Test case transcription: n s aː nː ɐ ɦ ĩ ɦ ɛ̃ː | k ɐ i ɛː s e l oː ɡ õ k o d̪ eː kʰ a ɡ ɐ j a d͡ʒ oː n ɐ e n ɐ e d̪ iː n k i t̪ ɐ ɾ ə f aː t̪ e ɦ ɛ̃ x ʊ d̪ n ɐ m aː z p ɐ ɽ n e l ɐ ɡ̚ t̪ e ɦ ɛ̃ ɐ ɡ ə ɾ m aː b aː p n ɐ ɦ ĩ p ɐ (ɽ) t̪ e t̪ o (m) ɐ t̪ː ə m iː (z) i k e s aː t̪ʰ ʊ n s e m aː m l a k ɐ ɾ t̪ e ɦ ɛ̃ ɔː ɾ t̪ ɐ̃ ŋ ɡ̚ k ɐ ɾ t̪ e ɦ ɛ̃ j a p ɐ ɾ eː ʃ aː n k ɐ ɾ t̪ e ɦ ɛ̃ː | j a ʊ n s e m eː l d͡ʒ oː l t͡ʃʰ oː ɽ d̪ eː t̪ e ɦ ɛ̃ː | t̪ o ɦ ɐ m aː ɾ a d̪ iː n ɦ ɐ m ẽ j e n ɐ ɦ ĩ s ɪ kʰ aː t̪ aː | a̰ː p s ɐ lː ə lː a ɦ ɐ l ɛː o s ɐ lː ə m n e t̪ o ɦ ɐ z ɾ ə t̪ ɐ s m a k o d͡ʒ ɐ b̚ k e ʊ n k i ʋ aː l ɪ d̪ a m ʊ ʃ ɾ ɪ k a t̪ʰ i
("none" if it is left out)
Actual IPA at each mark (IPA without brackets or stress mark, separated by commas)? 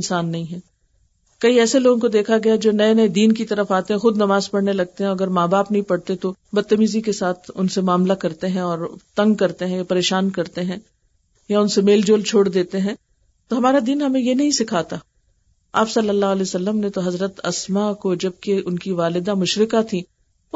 ɽ, b, z